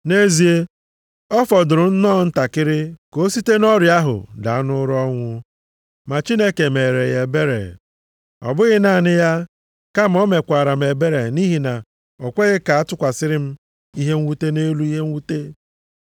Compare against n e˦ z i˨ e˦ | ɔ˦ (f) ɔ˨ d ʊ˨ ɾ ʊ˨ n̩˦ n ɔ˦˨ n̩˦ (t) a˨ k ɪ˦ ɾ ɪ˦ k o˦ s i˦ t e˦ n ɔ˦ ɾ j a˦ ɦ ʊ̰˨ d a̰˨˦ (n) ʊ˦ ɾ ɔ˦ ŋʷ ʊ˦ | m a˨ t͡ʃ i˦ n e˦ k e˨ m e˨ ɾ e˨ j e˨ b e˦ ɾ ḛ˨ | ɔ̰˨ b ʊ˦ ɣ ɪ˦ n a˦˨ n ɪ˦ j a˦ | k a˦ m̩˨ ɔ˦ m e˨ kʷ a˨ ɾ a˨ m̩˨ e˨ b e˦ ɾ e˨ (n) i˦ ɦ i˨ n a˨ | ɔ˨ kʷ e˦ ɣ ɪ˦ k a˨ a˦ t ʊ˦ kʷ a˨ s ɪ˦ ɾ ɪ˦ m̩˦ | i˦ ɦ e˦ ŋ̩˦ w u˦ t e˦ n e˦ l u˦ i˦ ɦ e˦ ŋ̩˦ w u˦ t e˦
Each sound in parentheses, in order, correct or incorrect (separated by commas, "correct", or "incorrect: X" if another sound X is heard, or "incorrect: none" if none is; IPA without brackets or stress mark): correct, correct, correct, correct